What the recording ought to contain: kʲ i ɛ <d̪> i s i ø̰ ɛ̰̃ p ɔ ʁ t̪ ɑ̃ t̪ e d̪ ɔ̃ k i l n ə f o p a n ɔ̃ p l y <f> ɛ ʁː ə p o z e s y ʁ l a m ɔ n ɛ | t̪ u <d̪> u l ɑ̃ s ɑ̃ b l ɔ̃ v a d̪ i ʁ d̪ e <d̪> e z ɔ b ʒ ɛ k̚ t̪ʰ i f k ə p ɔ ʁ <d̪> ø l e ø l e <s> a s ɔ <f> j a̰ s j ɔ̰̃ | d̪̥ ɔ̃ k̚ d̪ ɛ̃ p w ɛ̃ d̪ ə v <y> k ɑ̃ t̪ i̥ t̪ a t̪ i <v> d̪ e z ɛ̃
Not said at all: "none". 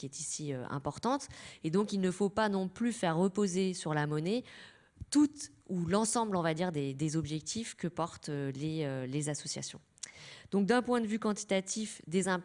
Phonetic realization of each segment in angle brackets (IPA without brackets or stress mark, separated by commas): t̪, f, t̪, d̪, t̪, z, s, y, f